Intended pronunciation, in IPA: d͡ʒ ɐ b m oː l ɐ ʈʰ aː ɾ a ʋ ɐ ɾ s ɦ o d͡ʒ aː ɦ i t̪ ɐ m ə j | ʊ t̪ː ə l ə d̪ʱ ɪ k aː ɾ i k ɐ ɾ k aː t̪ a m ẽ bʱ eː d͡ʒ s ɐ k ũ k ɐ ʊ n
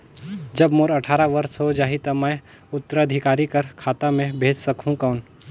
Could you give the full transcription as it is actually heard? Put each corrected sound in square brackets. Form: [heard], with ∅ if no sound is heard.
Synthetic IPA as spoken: d͡ʒ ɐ b m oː [ɾ] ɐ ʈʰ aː ɾ a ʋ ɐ ɾ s ɦ o d͡ʒ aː ɦ i t̪ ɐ m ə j | ʊ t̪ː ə [ɾ] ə d̪ʱ ɪ k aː ɾ i k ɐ ɾ [kʰ] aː t̪ a m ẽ bʱ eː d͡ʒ s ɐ k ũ k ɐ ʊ n